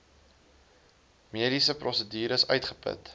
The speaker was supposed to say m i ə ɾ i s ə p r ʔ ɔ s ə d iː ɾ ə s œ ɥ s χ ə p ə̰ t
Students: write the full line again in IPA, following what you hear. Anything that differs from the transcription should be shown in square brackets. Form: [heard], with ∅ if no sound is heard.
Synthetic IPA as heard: m i ə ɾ i s ə p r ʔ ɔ s ə d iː ɾ ə s œ ɥ [t] χ ə p ə̰ t